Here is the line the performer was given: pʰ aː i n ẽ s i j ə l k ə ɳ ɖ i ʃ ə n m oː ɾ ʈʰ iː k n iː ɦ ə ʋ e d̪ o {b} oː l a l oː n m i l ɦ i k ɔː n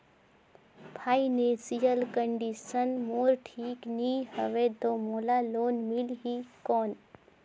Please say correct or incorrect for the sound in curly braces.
incorrect